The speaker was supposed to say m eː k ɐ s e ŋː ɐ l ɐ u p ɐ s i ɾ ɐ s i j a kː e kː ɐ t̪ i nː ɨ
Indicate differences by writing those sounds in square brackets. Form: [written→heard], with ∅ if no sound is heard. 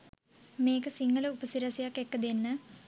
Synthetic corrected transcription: m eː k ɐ s [e→i] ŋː ɐ l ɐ u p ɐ s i ɾ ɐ s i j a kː e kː ɐ [t̪→d̪] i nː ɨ